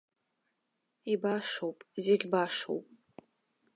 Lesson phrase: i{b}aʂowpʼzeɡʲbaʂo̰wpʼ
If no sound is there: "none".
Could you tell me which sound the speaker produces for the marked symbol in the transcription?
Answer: b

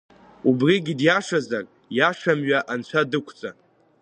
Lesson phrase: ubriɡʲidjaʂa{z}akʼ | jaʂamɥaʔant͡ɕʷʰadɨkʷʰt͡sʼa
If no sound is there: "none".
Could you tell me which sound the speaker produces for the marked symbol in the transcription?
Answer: z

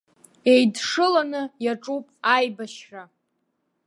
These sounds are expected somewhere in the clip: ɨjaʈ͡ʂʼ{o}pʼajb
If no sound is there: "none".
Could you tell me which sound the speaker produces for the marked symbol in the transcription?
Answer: u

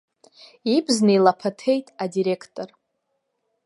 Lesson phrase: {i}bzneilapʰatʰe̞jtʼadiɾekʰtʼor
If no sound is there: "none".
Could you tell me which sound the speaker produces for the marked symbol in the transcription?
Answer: i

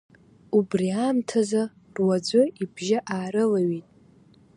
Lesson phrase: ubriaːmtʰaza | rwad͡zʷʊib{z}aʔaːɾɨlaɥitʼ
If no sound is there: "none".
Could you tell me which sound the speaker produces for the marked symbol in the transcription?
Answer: ʒ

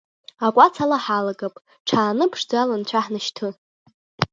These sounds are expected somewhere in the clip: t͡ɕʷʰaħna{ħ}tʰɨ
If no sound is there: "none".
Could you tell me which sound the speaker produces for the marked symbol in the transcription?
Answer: ʃ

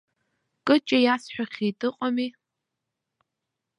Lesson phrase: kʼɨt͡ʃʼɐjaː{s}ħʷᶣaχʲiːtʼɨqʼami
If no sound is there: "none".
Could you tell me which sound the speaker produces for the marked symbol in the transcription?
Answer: s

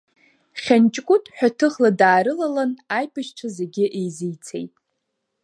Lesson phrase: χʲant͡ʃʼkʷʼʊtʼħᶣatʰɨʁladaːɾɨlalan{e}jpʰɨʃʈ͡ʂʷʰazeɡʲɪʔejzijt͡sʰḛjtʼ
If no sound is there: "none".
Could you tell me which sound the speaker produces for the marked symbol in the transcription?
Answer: a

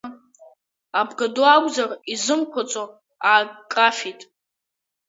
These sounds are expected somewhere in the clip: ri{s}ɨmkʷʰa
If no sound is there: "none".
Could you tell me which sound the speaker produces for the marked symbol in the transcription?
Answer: z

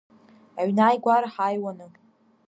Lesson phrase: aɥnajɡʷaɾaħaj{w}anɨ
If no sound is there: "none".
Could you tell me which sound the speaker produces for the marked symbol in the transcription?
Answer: w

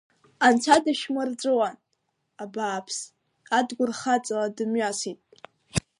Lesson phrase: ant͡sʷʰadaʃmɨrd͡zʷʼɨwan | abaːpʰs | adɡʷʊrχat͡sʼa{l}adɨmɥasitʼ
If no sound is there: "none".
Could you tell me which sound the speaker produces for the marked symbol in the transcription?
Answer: l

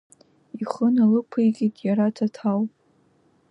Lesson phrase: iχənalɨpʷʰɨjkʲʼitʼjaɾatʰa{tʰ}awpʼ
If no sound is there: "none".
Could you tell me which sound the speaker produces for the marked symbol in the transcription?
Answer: tʰ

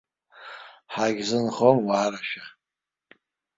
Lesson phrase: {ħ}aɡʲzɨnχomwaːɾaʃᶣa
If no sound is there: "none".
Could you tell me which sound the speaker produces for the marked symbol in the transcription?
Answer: ħ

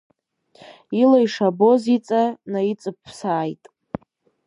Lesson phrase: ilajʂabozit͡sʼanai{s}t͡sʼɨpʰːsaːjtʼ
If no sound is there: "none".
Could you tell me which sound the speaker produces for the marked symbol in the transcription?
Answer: none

